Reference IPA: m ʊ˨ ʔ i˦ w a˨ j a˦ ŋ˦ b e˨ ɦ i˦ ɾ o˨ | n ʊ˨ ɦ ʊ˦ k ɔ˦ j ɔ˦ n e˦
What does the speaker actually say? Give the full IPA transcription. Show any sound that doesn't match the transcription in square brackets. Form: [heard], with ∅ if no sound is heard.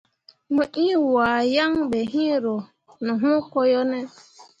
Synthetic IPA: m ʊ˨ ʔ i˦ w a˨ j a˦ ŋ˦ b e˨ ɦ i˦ ɾ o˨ | n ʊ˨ ɦ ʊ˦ k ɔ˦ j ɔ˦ n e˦